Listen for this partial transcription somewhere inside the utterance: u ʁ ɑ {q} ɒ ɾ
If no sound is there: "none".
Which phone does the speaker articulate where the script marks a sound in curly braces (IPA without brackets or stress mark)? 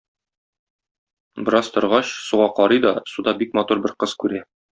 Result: q